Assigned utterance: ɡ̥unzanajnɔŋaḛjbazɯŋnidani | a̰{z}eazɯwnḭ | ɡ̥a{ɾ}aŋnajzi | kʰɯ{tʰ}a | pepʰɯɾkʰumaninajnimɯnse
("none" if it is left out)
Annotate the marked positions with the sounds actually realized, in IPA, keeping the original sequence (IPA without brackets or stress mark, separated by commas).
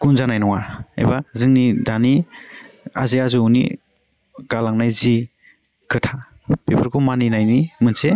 z, l, tʰ